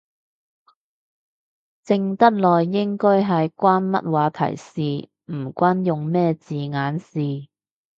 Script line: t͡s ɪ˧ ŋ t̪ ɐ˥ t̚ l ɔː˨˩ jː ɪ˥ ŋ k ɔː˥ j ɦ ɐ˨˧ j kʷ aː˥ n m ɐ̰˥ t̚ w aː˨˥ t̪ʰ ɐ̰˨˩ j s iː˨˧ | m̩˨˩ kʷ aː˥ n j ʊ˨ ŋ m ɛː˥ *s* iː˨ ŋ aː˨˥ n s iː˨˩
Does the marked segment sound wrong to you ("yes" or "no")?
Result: yes